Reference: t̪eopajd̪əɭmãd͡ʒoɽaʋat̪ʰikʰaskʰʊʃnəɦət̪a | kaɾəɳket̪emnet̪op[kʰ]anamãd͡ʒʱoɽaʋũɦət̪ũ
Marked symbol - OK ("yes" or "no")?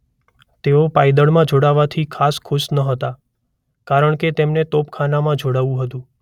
yes